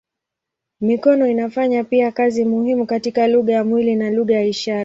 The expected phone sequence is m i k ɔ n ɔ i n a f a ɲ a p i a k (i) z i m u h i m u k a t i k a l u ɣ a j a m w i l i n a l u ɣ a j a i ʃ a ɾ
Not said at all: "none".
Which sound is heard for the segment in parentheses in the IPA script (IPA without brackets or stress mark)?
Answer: a